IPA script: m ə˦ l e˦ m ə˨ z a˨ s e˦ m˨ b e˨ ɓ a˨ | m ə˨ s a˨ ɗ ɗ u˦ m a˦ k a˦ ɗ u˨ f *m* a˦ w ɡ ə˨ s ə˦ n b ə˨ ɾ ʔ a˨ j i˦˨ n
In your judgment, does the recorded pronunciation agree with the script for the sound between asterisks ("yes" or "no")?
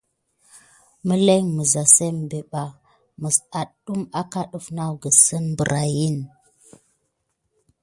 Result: no